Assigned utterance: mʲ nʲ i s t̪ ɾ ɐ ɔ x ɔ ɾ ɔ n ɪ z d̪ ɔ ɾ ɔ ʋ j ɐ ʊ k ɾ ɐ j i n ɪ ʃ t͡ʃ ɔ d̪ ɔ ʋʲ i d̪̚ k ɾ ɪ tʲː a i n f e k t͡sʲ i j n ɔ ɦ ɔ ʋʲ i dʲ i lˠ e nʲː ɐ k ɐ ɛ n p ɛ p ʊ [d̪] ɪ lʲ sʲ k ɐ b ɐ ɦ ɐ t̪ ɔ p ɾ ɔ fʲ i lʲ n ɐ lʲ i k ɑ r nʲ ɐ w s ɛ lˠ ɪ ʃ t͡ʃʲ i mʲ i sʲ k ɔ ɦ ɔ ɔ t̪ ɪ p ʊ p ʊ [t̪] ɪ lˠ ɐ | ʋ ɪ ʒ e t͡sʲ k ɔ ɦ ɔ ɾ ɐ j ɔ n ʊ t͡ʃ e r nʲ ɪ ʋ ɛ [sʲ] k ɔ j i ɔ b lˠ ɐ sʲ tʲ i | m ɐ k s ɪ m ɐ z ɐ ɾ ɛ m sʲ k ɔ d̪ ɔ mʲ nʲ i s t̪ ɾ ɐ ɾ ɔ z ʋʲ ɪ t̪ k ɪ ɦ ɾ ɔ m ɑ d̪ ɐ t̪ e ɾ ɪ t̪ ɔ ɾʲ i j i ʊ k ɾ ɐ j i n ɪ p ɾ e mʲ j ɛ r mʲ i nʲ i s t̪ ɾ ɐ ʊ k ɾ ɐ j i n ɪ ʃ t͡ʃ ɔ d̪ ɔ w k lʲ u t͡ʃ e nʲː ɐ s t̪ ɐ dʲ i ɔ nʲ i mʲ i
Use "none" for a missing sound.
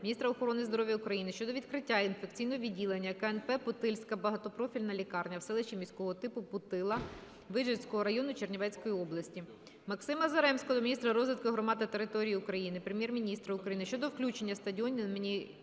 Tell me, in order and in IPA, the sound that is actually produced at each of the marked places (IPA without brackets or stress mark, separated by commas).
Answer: t̪, t̪, t͡sʲ